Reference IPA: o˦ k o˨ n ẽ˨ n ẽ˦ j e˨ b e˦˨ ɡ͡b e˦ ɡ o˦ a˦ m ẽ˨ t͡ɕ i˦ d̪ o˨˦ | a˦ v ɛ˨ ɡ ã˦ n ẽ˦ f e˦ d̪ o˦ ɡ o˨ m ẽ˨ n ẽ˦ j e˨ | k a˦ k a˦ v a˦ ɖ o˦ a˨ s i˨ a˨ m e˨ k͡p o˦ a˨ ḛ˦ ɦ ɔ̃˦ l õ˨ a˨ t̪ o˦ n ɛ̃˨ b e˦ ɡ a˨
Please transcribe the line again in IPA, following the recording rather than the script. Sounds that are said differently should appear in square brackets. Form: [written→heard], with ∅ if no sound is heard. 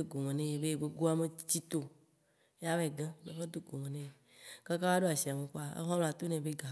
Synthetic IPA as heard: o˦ [k→ɡ] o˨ [n→m] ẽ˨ n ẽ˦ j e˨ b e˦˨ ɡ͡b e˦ ɡ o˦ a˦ m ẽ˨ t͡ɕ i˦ [d̪→t̪] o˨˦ | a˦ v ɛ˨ ɡ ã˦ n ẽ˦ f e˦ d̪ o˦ ɡ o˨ m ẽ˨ n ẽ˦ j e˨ | k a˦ k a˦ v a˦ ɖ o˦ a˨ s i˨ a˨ m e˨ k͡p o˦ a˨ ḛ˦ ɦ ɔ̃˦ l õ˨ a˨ t̪ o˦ n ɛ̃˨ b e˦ ɡ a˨